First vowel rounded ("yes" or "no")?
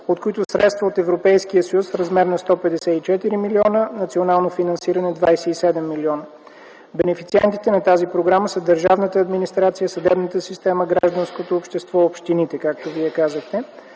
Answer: yes